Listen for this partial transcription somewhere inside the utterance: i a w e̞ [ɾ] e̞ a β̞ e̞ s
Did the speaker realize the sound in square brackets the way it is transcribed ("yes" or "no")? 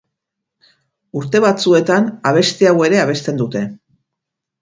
yes